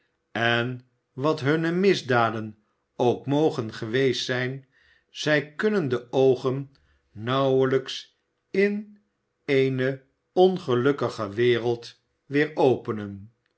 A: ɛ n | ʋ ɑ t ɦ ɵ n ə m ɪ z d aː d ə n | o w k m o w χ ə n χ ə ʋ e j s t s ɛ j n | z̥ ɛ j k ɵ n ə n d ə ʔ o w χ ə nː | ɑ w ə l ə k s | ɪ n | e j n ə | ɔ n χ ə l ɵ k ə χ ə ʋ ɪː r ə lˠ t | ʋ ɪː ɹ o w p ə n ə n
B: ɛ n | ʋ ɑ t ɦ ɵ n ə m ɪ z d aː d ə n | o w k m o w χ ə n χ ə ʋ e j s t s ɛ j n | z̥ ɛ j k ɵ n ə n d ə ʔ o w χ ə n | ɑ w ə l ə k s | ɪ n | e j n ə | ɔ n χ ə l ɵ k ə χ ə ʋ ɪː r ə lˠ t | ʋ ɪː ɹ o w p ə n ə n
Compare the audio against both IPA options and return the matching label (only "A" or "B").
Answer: A